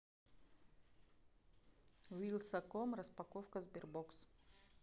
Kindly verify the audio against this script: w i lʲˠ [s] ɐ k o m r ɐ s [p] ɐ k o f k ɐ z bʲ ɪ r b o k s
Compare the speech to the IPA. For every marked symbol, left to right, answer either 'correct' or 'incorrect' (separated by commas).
correct, correct